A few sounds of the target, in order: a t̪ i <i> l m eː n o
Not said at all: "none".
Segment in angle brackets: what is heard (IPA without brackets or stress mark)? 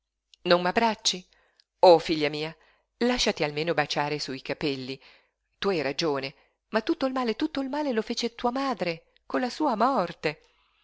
a